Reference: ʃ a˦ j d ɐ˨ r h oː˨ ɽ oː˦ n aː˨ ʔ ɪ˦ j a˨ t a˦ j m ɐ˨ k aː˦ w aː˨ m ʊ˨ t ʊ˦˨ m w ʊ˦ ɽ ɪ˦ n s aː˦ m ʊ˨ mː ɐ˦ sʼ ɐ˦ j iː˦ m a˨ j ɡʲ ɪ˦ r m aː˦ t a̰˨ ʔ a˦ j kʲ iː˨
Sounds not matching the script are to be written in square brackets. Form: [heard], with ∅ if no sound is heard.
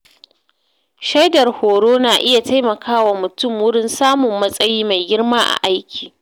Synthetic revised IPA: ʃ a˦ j d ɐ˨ r h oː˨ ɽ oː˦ n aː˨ ʔ ɪ˦ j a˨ t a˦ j m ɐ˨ k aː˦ w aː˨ m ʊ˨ t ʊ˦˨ m w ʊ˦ ɽ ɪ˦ n s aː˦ m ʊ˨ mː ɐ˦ sʼ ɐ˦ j iː˦ m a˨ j ɡʲ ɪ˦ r m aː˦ [ʔ] a̰˨ ʔ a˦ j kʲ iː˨